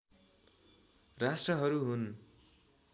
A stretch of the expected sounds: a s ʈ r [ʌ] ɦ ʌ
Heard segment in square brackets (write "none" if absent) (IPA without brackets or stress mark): ʌ